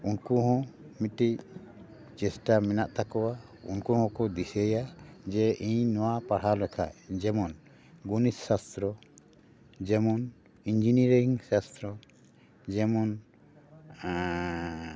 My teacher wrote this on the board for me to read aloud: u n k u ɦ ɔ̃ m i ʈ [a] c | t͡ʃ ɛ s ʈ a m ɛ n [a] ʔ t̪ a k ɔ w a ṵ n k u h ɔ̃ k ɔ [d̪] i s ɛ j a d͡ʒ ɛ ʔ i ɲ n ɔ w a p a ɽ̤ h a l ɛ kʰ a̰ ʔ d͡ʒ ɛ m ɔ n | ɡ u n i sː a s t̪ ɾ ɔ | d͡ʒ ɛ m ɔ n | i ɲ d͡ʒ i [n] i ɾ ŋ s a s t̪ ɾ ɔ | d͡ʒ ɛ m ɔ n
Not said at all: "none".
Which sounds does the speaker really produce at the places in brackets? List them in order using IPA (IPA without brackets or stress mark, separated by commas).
i, a, d̪, n